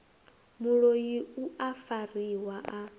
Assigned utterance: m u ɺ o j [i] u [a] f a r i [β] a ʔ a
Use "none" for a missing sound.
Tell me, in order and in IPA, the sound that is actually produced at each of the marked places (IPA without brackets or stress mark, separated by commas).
i, a, w